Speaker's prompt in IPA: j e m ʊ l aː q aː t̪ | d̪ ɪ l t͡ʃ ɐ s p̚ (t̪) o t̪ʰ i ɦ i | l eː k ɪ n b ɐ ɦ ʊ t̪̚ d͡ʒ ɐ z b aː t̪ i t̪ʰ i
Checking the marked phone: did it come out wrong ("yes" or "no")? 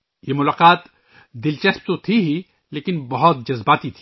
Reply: no